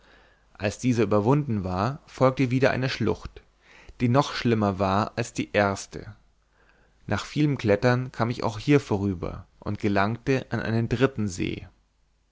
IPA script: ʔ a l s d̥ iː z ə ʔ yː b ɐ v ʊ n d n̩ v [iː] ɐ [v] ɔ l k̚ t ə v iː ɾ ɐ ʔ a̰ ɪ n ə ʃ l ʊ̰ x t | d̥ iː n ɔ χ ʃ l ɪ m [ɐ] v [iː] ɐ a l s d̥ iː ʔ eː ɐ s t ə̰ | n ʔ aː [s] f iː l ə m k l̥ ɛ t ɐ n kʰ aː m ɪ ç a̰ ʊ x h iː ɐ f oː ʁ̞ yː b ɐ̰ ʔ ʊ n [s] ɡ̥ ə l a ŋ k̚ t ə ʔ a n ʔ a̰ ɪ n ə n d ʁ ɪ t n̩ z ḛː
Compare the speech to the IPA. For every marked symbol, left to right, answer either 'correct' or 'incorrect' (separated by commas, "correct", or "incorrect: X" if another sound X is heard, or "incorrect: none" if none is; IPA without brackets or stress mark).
incorrect: aː, incorrect: f, correct, incorrect: aː, incorrect: χ, incorrect: t